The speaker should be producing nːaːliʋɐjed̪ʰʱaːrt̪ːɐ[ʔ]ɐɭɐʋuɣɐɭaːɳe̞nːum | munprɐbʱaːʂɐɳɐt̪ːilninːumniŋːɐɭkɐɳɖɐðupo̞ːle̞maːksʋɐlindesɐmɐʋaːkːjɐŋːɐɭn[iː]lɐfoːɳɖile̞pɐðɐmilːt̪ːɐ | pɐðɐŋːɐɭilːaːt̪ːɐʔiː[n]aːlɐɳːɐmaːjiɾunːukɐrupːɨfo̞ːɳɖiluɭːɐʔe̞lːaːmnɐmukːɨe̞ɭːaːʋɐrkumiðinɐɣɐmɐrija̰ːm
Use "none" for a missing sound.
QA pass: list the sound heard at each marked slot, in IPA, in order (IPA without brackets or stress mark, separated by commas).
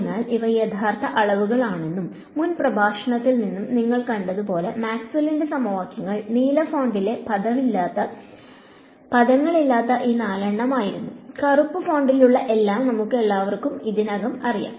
ʔ, iː, n